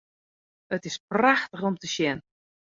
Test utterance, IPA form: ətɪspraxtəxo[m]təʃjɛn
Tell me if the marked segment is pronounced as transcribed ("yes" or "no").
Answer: yes